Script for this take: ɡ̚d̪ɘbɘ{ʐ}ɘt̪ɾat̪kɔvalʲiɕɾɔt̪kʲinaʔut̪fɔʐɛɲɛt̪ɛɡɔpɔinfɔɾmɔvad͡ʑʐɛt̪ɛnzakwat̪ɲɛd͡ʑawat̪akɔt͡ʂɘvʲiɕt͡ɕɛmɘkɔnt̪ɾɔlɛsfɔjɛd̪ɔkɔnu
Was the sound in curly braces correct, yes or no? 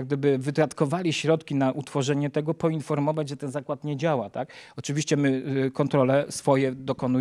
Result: no